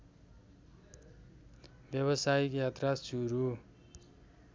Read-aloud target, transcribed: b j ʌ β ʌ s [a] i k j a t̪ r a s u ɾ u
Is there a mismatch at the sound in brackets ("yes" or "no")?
no